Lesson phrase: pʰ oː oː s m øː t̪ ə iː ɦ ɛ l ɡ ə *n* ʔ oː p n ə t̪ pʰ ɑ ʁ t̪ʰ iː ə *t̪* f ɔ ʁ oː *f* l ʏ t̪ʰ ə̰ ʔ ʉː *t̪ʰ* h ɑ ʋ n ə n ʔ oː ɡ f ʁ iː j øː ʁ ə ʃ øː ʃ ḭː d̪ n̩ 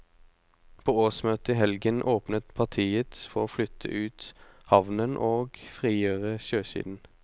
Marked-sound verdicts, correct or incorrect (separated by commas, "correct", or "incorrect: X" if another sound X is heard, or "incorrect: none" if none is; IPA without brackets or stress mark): correct, correct, correct, incorrect: t̪